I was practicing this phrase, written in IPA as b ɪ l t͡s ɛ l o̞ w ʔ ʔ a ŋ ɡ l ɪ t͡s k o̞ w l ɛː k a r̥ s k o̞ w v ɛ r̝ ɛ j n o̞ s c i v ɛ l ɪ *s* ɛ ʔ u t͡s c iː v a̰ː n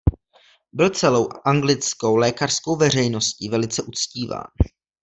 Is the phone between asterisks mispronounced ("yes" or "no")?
yes